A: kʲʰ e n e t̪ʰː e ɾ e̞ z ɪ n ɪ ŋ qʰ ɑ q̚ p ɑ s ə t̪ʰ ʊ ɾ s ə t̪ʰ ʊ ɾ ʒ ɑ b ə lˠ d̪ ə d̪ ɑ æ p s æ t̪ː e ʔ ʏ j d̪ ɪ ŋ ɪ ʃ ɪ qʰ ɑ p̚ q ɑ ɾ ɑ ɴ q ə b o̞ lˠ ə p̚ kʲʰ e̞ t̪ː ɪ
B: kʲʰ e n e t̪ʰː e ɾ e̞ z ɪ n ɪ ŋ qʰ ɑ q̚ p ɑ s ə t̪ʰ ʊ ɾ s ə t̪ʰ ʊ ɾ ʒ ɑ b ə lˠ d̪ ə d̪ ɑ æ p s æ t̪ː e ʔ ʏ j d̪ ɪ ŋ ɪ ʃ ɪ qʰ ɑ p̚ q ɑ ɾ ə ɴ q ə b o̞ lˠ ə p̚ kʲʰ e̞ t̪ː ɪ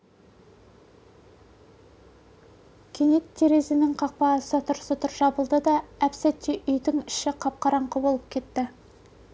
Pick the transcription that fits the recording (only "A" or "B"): A